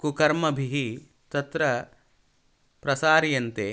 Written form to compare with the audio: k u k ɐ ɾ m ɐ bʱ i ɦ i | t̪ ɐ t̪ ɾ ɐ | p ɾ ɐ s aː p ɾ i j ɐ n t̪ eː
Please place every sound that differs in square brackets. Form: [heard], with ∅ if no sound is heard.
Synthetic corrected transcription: k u k ɐ ɾ m ɐ bʱ i ɦ i | t̪ ɐ t̪ ɾ ɐ | p ɾ ɐ s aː [∅] ɾ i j ɐ n t̪ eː